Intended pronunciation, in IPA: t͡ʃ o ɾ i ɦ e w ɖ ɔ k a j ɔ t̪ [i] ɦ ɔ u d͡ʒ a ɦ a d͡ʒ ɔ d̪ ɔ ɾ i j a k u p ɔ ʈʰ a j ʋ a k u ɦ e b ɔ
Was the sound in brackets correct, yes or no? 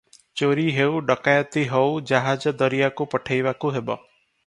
yes